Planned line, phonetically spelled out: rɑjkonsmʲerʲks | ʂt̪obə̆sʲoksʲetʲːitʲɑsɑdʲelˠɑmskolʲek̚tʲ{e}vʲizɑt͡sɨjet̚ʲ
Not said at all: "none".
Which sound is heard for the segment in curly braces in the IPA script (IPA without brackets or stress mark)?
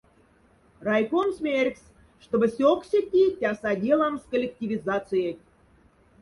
i